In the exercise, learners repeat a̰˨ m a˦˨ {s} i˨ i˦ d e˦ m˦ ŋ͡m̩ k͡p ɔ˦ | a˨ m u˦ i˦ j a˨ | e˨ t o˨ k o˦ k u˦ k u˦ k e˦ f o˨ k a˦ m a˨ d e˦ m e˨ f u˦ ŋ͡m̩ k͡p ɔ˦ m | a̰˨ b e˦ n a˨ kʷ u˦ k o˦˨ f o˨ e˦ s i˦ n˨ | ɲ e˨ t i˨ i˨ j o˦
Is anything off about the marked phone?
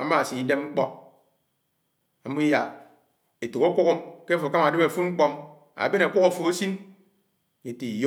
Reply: no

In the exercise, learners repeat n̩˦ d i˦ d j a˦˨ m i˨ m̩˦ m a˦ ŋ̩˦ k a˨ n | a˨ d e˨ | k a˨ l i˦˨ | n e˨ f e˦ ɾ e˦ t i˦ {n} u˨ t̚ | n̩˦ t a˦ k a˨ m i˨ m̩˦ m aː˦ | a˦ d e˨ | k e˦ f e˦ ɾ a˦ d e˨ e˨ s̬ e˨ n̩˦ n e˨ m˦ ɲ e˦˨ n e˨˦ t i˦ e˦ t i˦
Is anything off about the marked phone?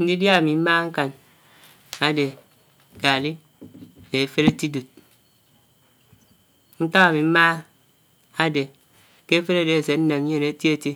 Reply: yes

